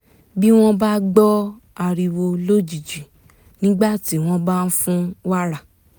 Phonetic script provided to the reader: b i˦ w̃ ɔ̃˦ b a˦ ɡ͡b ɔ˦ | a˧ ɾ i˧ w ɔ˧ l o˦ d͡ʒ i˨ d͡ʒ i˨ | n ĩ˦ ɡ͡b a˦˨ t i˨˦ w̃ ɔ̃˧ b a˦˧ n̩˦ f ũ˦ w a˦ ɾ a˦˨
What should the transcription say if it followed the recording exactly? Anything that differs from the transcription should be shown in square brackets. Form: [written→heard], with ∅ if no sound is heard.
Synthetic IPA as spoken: b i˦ w̃ ɔ̃˦ b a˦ ɡ͡b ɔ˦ | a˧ ɾ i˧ w [ɔ˧→o˧] l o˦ d͡ʒ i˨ d͡ʒ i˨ | n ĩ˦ ɡ͡b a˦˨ t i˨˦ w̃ ɔ̃˧ b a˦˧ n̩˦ f ũ˦ w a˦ ɾ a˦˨